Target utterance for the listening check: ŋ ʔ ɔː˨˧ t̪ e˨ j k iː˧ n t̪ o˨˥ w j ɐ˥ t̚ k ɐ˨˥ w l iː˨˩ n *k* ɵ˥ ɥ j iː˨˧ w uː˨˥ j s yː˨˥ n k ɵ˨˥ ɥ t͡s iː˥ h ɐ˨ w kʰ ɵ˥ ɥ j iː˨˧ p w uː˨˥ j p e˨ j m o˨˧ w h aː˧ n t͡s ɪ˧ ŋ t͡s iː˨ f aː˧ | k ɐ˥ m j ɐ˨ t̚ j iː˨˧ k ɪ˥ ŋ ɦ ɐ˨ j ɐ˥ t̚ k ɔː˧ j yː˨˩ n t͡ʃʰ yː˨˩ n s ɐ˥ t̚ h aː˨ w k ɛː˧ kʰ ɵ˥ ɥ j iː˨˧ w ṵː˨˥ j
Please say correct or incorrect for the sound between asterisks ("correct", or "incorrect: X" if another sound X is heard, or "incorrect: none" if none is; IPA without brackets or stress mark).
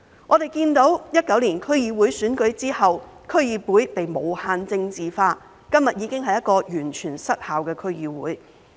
incorrect: kʰ